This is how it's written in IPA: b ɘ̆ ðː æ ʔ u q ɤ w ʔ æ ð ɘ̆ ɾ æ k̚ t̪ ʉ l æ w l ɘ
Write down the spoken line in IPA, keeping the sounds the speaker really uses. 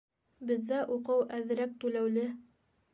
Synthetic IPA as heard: b ɘ̆ ðː æ ʔ u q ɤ w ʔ æ ð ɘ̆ ɾ æ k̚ t̪ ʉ l æ w l ɘ